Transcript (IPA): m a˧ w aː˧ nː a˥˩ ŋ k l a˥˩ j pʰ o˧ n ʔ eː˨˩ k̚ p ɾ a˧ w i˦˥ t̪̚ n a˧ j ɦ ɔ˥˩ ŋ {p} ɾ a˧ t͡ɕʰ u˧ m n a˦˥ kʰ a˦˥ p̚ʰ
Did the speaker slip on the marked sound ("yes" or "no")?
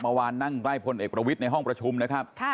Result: no